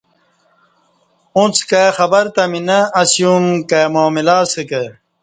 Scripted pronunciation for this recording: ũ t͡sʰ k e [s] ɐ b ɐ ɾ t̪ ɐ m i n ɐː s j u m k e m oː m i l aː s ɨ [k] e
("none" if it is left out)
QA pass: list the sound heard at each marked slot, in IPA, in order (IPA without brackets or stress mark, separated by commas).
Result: x, k